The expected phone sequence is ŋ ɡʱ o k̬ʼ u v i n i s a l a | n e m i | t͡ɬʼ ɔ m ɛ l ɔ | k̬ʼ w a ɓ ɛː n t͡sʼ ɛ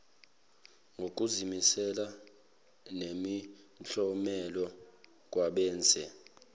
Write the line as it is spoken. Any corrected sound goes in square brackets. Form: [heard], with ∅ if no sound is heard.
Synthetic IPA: ŋ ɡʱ o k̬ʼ u [z] i [m] i s [ɛ] l a | n e m i | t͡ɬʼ ɔ m ɛ l ɔ | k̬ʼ w a ɓ ɛː n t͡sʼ ɛ

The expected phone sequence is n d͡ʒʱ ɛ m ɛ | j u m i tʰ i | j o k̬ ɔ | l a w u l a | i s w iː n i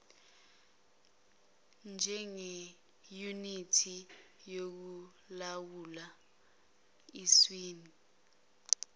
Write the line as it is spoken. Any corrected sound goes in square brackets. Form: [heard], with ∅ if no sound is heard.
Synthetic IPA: n d͡ʒʱ ɛ [ŋ] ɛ | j u [n] i tʰ i | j o k̬ [u] | l a w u l a | i s w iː n i

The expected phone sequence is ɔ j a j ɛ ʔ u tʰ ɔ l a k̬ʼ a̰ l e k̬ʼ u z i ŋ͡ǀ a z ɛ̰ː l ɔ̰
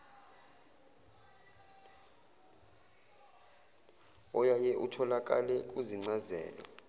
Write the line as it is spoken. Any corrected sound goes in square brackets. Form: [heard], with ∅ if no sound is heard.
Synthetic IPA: ɔ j a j ɛ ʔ u tʰ ɔ l a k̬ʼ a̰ l [ɛ] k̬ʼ u z i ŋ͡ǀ a z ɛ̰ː l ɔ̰

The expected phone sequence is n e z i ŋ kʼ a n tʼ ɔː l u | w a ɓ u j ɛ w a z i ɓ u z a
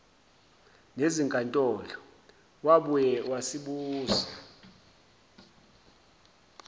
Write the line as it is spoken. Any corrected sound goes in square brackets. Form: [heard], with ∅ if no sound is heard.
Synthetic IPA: n e z i ŋ kʼ a n tʼ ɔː l [ɔ] | w a ɓ u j ɛ w a [s] i ɓ [uː] z a

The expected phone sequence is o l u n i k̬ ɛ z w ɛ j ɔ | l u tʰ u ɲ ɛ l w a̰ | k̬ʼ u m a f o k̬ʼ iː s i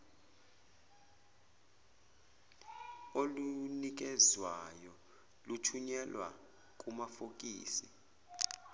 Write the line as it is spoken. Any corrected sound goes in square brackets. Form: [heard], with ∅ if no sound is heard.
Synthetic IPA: o l u n i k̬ ɛ z w [a] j ɔ | l u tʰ u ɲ ɛ l w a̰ | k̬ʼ u m a f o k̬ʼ iː s i

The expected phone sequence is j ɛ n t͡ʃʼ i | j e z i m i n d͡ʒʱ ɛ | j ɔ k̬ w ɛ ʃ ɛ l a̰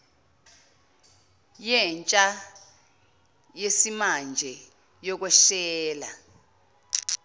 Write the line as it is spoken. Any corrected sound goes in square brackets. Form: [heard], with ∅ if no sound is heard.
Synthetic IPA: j ɛ n t͡ʃʼ [a] | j e [s] i m [a] n d͡ʒʱ ɛ | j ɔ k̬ w ɛ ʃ [ɛː] l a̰

